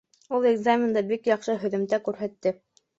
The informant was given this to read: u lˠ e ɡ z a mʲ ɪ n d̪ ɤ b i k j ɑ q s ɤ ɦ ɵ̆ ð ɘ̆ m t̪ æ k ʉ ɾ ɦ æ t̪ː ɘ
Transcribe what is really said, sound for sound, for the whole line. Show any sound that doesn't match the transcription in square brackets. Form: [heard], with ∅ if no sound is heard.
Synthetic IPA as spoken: u lˠ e ɡ z a mʲ ɪ n d̪ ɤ b i k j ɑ q [ʃ] ɤ ɦ ɵ̆ ð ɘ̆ m t̪ æ k ʉ ɾ ɦ æ t̪ː ɘ